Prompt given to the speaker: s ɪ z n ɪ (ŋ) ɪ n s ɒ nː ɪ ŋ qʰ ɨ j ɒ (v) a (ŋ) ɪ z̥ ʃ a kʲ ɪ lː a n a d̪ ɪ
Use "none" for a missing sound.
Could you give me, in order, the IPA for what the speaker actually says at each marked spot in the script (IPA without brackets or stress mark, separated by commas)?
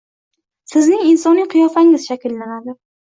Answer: ŋ, f, ŋ